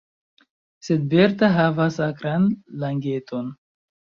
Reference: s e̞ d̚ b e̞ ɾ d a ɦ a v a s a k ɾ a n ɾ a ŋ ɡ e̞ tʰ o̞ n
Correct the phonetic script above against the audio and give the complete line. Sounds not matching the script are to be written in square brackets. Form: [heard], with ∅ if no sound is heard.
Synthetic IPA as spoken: s e̞ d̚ b e̞ ɾ [t] a ɦ a v a s a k ɾ a n [l] a ŋ ɡ e̞ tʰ o̞ n

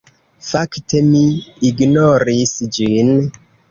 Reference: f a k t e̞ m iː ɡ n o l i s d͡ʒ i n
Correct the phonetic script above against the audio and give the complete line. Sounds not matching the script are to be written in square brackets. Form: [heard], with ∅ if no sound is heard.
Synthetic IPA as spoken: f a k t e̞ m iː ɡ n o [ɾ] i s d͡ʒ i n

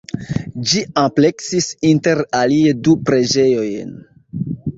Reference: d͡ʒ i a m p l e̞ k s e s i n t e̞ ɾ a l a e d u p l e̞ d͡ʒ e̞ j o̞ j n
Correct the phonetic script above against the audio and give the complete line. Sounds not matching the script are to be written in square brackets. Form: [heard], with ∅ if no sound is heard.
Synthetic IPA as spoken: d͡ʒ i a m p l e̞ k s [i] s i n t e̞ ɾ a l [i] e d u p [ɾ] e̞ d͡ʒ e̞ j o̞ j n

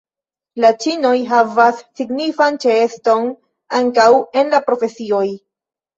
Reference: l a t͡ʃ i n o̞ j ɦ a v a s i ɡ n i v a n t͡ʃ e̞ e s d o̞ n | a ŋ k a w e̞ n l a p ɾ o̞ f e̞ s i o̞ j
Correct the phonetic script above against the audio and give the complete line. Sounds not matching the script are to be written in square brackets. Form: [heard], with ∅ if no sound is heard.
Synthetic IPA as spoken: l a t͡ʃ i n o̞ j ɦ a v a [sː] i ɡ n i [f] a n t͡ʃ e̞ e s [t] o̞ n | a ŋ k a w e̞ n l a p ɾ o̞ f e̞ s i o̞ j

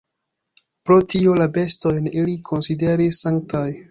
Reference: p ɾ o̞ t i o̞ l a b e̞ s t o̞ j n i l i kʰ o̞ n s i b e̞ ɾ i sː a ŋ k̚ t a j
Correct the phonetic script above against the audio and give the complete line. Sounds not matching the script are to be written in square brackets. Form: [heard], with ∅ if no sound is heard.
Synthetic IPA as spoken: p ɾ o̞ t i o̞ l a b e̞ s t o̞ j n i l i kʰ o̞ n s i [d] e̞ ɾ i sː a ŋ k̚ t a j

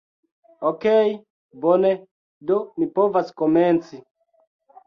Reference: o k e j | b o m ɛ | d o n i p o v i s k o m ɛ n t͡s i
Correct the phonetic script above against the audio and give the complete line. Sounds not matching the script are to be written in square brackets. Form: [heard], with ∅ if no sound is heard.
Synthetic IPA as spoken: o k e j | b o [n] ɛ | d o [m] i p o v [a] s k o m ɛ n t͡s i

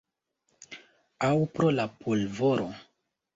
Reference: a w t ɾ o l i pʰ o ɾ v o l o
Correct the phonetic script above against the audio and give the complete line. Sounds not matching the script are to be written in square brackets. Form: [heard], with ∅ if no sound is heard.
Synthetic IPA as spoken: a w [p] ɾ o l [a] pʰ o [l] v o [ɾ] o

